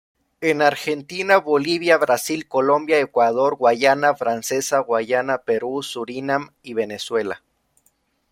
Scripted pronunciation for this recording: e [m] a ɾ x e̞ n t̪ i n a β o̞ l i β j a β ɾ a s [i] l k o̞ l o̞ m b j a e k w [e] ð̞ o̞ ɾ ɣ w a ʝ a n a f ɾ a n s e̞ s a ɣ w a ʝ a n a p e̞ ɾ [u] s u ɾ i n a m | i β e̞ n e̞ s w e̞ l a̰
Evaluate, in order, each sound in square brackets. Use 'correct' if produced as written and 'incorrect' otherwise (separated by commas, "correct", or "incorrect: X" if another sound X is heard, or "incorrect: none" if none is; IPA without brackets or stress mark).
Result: incorrect: n, correct, incorrect: a, correct